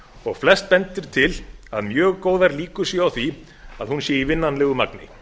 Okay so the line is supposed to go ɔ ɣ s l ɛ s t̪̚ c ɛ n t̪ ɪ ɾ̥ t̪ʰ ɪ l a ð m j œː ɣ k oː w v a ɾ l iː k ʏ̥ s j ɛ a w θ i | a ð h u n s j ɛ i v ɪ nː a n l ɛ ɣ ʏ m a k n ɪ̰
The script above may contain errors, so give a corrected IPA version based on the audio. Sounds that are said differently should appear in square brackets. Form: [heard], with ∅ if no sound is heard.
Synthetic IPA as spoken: ɔ ɣ [f] l ɛ s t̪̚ [p] ɛ n t̪ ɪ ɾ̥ t̪ʰ ɪ l a ð m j œː ɣ k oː w [ð] a ɾ l iː k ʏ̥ s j ɛ a w θ i | a ð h u n s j ɛ i v ɪ nː a n l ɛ ɣ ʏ m a k n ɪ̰